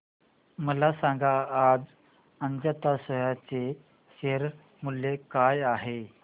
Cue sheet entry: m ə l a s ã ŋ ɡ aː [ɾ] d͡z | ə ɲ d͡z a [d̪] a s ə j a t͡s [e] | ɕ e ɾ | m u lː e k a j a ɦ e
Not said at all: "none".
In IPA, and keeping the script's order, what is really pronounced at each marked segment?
none, t̪, e

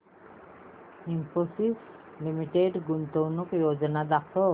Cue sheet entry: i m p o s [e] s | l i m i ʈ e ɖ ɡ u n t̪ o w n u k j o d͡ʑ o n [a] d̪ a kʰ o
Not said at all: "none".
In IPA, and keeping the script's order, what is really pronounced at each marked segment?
i, a

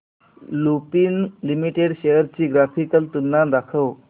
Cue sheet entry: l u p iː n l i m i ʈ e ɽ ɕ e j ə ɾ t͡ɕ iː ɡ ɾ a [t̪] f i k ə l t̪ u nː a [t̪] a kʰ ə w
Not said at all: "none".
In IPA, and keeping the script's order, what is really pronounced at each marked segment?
none, d̪

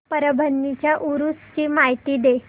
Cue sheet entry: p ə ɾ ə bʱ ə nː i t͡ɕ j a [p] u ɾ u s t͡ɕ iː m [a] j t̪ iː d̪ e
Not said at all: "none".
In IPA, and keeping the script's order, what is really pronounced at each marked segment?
ʔ, a

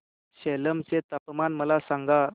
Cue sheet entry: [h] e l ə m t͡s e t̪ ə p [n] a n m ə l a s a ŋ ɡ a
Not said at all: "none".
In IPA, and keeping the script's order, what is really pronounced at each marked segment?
ɕ, m

